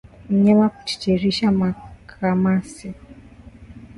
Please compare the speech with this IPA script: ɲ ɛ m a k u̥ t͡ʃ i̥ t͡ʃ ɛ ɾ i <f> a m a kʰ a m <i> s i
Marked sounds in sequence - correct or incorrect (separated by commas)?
incorrect, incorrect